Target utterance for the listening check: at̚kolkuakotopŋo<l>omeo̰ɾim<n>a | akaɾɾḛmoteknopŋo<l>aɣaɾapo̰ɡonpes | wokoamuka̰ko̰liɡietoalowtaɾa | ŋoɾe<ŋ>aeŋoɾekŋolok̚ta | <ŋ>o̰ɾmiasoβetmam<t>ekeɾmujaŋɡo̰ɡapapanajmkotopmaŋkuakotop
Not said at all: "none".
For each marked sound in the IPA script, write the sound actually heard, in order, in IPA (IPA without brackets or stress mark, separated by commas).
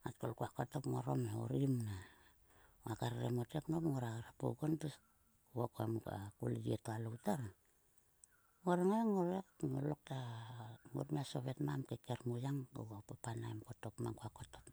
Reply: ɾ, n, ɾ, ŋ, ŋ, k